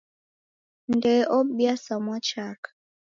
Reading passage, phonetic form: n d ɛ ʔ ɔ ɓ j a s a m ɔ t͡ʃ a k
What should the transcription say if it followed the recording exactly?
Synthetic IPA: n d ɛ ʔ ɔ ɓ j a s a m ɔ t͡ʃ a k